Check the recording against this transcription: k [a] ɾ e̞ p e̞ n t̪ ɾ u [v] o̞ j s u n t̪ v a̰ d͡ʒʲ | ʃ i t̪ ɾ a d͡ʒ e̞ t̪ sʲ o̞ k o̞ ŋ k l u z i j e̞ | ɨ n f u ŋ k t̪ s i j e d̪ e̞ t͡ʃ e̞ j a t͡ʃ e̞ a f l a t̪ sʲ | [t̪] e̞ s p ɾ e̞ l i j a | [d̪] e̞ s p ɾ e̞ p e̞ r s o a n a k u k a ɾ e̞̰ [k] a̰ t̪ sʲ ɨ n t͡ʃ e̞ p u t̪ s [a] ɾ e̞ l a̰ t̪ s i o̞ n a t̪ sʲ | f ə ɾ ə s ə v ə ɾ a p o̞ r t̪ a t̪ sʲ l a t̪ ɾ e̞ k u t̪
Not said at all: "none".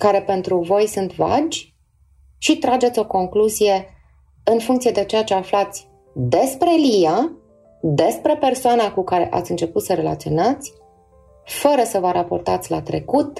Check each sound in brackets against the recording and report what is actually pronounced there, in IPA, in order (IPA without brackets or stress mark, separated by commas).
a, v, d̪, d̪, ʔ, ə